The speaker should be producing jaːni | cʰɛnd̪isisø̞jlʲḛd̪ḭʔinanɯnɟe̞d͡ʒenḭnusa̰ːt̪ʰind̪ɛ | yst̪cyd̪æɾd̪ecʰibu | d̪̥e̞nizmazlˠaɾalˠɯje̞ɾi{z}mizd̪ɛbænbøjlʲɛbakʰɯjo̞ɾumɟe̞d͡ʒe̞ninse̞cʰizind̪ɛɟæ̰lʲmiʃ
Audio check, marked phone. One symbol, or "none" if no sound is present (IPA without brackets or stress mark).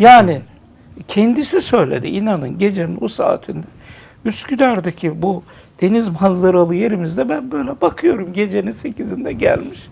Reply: none